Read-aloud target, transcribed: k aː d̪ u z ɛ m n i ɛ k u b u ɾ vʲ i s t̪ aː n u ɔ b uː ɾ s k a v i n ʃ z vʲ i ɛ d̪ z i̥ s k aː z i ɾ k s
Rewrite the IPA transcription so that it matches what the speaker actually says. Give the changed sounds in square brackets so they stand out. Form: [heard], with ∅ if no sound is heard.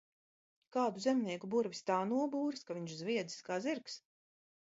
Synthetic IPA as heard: k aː d̪ u z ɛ m n i ɛ k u b u ɾ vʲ i s t̪ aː n u ɔ b uː ɾ s k a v i [ɲ] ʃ z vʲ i ɛ d̪ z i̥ s k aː z i ɾ k s